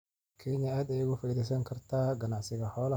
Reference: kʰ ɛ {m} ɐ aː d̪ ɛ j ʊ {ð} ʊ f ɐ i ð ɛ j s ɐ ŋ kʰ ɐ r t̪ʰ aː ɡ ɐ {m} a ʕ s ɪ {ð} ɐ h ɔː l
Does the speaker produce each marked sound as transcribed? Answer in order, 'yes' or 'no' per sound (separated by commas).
no, no, no, no